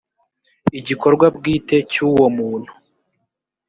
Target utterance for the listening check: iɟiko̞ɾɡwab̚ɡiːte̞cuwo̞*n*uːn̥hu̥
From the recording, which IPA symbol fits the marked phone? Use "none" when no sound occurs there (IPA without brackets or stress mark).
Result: m